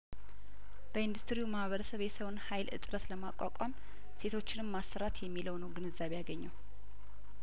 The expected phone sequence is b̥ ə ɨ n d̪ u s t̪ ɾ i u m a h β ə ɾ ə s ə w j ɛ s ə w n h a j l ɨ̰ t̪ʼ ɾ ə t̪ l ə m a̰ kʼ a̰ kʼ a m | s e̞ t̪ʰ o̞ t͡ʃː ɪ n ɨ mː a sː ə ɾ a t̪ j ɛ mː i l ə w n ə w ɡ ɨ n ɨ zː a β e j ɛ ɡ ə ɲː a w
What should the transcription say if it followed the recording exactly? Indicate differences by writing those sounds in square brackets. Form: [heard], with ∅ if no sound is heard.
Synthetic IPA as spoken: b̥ ə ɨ n d̪ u s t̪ ɾ i u m a h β ə ɾ ə s ə [β] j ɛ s ə w n h a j l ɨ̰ t̪ʼ ɾ ə t̪ l ə m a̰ kʼ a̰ kʼ a m | s e̞ t̪ʰ o̞ t͡ʃː ɪ n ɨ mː a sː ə ɾ a t̪ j ɛ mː i l ə w n ə w ɡ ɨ n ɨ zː a β e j [a] ɡ ə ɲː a w

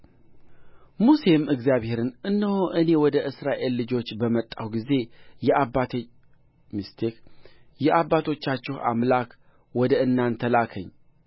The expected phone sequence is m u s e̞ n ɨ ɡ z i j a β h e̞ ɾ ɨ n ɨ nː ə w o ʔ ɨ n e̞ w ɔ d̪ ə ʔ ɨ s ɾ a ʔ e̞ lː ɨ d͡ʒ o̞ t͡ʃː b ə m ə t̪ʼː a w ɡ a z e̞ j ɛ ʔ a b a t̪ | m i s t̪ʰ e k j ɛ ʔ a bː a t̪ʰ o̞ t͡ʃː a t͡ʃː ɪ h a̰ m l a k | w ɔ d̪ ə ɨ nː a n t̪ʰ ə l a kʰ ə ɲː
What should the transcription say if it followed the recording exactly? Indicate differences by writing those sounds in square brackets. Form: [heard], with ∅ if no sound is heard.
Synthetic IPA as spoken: m u s e̞ [m] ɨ ɡ z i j a β h e̞ ɾ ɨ n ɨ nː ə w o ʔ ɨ n e̞ w ɔ d̪ ə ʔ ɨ s ɾ a ʔ e̞ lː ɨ d͡ʒ o̞ t͡ʃː b ə m ə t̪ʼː a w ɡ [i] z e̞ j ɛ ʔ a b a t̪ | m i s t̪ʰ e k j ɛ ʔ a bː a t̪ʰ o̞ t͡ʃː a t͡ʃː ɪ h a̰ m l a k | w ɔ d̪ ə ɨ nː a n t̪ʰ ə l a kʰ ə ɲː

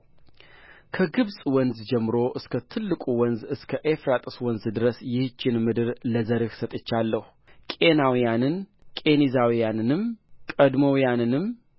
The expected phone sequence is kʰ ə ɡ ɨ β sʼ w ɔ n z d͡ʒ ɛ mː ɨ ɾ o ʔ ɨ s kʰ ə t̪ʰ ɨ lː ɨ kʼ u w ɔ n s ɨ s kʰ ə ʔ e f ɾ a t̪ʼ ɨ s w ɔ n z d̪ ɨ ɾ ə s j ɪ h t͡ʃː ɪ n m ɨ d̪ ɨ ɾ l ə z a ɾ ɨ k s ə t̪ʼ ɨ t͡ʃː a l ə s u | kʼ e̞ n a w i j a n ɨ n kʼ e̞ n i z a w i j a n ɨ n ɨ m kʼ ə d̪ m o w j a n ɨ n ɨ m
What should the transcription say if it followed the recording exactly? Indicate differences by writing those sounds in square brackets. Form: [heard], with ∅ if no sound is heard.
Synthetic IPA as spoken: kʰ ə ɡ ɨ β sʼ w ɔ n z d͡ʒ ɛ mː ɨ ɾ o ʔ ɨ s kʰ ə t̪ʰ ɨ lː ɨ kʼ u w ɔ n [z] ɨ s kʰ ə ʔ e f ɾ a t̪ʼ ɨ s w ɔ n z d̪ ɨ ɾ ə s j ɪ h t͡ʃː ɪ n m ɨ d̪ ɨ ɾ l ə z [ə] ɾ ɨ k s ə t̪ʼ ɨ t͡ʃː a [lː] ə [h] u | kʼ e̞ n a w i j a n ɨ n kʼ e̞ n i z a w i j a n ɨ n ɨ m kʼ ə d̪ m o w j a n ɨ n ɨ m

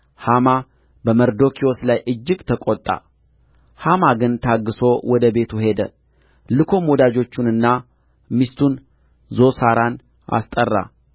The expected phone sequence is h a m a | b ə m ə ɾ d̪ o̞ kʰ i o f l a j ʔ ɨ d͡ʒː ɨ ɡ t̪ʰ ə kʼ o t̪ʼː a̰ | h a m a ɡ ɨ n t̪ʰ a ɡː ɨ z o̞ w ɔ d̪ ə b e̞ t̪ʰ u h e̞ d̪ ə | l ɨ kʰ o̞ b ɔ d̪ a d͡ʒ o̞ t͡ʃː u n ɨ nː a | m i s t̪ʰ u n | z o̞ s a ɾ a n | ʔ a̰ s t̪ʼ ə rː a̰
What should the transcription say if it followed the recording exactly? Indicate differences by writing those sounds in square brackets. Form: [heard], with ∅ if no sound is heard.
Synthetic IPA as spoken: h a m a | b ə m ə ɾ d̪ o̞ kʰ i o [s] l a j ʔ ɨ d͡ʒː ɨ ɡ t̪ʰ ə kʼ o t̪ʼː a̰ | h a m a ɡ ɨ n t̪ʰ a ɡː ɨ [s] o̞ w ɔ d̪ ə b e̞ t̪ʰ u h e̞ d̪ ə | l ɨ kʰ o̞ [m] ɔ d̪ a d͡ʒ o̞ t͡ʃː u n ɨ nː a | m i s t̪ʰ u n | z o̞ s a ɾ a n | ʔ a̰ s t̪ʼ ə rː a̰

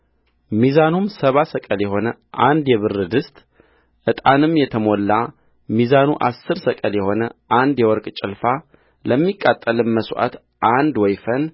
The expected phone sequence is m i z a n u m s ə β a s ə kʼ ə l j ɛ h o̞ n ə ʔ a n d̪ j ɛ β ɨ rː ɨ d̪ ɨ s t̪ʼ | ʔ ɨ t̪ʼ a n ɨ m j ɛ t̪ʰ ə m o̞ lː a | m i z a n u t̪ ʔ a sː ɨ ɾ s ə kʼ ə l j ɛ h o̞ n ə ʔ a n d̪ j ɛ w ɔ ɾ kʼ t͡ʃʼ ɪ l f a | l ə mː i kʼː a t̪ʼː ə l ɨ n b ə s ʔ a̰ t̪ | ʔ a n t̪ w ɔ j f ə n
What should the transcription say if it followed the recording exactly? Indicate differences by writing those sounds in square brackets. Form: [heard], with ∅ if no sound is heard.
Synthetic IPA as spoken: m i z a n u m s ə β a s ə kʼ ə l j ɛ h o̞ n ə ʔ a n d̪ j ɛ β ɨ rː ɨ d̪ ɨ s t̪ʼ | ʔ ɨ t̪ʼ a n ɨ m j ɛ t̪ʰ ə m o̞ lː a | m i z a n u [∅] ʔ a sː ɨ ɾ s ə kʼ ə l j ɛ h o̞ n ə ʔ a n d̪ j ɛ w ɔ ɾ kʼ t͡ʃʼ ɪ l f a | l ə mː i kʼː a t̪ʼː ə l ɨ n [m] ə s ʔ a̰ t̪ | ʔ a n [d̪] w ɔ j f ə n

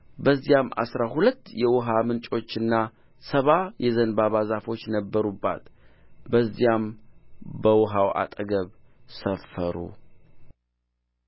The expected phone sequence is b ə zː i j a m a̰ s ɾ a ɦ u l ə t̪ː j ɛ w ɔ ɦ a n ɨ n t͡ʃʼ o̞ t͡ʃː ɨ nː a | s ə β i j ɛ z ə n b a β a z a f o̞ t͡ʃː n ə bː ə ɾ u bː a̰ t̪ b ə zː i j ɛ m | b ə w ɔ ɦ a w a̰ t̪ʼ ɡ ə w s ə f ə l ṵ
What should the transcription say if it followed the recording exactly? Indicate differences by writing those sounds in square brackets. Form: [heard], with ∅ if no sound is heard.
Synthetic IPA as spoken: b ə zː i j a m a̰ s ɾ a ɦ u l ə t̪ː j ɛ w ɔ ɦ a [m] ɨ n t͡ʃʼ o̞ t͡ʃː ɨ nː a | s ə β [a] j ɛ z ə n b a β a z a f o̞ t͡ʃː n ə bː ə ɾ u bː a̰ t̪ b ə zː i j [a] m | b ə w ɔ ɦ a w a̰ t̪ʼ ɡ ə [β] s ə f ə [ɾ] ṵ

